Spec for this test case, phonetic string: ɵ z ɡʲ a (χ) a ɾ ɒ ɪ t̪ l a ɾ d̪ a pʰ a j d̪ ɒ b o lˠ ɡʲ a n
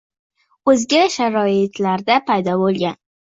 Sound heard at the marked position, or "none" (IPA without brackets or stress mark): ʃ